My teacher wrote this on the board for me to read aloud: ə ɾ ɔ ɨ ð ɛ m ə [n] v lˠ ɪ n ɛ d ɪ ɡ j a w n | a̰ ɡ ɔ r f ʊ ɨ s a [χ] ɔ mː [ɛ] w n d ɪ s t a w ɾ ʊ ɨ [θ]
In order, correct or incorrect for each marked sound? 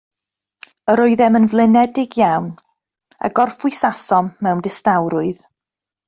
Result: correct, incorrect, correct, incorrect

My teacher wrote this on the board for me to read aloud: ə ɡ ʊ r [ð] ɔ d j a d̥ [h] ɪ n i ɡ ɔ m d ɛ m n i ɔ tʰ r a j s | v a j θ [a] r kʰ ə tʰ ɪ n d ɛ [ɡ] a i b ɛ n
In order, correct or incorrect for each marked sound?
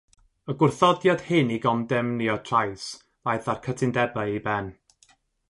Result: incorrect, correct, correct, incorrect

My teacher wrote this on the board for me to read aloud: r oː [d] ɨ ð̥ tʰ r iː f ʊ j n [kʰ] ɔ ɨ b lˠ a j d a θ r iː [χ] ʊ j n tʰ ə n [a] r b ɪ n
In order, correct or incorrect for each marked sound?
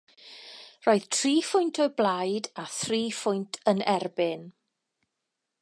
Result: incorrect, incorrect, incorrect, incorrect

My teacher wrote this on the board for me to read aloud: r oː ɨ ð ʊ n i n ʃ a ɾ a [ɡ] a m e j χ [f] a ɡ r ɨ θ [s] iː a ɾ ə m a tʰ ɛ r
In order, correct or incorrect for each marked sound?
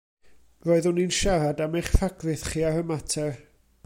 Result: incorrect, correct, incorrect

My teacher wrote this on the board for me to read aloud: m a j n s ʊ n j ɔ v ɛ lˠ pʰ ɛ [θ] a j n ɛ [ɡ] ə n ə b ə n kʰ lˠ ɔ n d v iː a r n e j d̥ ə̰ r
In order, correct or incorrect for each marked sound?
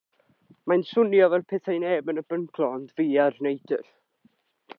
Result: correct, incorrect

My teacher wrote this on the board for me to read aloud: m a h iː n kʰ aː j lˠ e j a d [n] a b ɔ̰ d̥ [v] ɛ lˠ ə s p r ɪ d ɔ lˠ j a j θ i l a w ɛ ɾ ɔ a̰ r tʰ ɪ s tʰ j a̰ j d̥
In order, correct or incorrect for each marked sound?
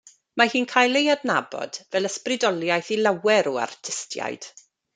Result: correct, correct

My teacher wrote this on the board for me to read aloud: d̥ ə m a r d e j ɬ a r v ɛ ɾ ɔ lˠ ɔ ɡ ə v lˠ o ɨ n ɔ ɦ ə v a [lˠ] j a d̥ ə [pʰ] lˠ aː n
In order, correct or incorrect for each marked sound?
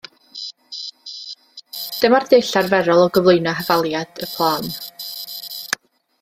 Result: correct, correct

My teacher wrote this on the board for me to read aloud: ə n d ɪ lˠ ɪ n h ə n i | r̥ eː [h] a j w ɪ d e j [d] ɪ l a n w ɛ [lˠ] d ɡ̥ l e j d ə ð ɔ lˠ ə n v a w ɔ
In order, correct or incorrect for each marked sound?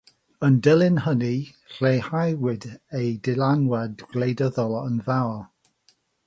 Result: correct, correct, incorrect

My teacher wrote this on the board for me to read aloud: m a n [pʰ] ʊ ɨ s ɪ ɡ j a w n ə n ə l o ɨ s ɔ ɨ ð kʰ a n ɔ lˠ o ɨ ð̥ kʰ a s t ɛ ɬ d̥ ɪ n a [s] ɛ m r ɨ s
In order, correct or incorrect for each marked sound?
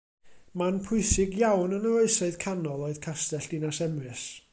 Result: correct, correct

